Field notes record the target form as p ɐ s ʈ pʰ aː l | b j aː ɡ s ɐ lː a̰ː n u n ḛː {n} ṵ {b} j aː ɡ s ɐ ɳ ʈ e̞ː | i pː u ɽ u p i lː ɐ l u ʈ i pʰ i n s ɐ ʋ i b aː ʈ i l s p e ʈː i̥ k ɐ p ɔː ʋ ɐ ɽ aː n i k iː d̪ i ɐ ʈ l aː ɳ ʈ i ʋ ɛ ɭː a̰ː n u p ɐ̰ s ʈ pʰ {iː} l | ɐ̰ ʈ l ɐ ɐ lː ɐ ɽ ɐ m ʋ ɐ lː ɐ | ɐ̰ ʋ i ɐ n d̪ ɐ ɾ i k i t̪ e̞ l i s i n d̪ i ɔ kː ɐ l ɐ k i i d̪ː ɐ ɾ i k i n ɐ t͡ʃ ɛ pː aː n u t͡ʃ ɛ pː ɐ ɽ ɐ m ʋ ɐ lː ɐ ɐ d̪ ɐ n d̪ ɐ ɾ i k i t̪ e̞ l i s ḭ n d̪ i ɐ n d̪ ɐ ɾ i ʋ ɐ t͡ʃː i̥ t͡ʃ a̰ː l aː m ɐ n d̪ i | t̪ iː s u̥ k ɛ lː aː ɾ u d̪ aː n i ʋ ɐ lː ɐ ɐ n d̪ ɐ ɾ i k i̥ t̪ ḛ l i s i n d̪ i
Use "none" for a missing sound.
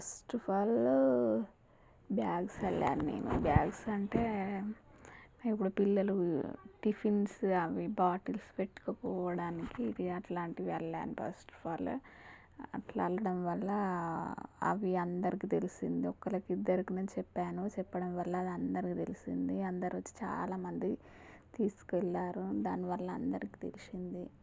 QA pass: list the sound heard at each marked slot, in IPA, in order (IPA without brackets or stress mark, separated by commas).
n, b, aː